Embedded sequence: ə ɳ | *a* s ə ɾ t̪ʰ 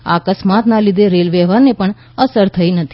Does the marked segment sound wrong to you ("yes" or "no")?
yes